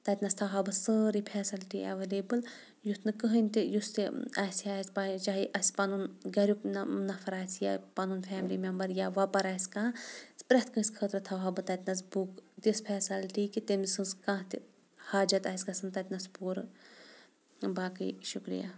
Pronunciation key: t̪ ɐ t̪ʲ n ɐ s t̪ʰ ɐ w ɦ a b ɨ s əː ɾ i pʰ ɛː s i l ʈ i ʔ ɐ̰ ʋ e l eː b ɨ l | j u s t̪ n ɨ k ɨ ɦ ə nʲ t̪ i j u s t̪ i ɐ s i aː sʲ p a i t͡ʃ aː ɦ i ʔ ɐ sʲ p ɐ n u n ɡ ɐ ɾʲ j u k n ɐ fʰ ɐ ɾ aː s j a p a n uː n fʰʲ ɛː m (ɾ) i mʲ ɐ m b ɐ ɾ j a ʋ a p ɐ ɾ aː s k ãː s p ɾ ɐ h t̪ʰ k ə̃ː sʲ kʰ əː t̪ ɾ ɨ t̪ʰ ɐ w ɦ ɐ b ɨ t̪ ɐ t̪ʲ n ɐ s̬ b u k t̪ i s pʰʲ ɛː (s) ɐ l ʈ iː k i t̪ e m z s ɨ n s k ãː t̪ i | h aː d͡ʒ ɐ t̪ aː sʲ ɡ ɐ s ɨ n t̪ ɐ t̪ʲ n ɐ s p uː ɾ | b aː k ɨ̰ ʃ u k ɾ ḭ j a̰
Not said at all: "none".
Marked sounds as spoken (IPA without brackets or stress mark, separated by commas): l, s